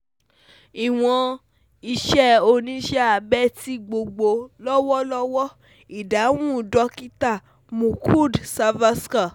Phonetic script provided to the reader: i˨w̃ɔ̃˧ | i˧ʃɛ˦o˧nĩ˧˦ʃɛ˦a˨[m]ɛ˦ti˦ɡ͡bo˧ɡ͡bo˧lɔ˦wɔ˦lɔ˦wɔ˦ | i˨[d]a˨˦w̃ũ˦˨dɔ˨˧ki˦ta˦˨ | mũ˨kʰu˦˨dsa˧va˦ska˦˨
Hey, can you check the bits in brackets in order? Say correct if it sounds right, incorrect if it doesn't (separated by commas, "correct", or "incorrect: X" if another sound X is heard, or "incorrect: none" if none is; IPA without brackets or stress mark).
incorrect: b, correct